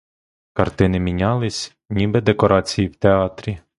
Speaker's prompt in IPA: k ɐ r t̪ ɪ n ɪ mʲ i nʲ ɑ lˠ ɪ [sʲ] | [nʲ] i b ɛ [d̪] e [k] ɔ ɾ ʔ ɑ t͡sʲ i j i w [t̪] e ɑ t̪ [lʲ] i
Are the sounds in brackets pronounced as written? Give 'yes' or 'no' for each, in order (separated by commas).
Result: yes, yes, yes, yes, yes, no